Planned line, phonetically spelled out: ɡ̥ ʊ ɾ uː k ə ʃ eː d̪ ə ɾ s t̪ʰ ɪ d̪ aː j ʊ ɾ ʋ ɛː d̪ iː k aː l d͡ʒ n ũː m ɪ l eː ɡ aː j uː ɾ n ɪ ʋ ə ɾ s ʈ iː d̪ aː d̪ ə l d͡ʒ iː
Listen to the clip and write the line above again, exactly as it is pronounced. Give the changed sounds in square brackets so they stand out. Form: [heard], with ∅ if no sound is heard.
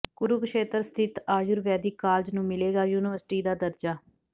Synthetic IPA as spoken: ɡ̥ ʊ ɾ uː k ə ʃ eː [t̪] ə ɾ s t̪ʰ ɪ [t̪] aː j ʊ ɾ ʋ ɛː d̪ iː k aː l d͡ʒ n ũː m ɪ l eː ɡ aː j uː [∅] n ɪ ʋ ə ɾ s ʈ iː d̪ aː d̪ ə [ɾ] d͡ʒ [aː]